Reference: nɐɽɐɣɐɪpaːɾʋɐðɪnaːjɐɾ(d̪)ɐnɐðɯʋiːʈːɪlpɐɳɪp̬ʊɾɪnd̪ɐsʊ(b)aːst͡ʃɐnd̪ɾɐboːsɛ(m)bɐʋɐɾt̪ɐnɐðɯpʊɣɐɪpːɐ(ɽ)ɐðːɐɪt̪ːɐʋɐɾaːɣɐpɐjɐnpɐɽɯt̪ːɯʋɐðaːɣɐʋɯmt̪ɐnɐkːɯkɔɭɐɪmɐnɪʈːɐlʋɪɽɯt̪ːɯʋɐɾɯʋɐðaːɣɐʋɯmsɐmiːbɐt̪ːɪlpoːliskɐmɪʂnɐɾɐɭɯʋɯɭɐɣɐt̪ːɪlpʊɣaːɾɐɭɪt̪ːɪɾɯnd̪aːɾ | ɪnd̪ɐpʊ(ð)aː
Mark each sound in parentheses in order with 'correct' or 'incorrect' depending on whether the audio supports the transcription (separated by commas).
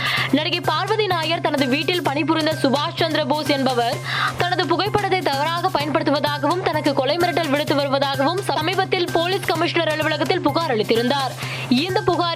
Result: incorrect, correct, incorrect, correct, incorrect